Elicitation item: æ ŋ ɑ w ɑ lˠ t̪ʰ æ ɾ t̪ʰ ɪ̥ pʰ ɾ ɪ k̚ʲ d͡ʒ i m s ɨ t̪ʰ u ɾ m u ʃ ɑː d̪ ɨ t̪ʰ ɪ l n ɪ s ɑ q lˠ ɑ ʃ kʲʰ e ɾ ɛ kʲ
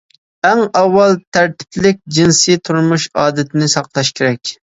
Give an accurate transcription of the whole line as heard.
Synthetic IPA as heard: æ ŋ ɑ wː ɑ lˠ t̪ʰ æ ɾ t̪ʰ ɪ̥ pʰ l ɪ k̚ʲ d͡ʒ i n s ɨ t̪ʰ u ɾ m u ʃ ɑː d̪ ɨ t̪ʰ ɪ n ɪ s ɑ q lˠ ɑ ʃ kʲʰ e ɾ ɛ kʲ